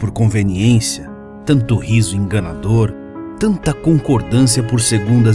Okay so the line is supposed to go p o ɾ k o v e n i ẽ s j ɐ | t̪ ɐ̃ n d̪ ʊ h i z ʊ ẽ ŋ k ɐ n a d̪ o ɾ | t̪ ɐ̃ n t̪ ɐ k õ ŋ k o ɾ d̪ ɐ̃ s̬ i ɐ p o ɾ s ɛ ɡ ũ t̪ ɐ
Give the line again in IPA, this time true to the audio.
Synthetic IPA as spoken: p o ɾ k õ v e n i ẽ s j ɐ | t̪ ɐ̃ n t̪ ʊ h i z ʊ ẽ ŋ ɡ ɐ n a d̪ o ɾ | t̪ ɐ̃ n t̪ ɐ k õ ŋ k o ɾ d̪ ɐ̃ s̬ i ɐ p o ɾ s e ɡ ũ d̪ ɐ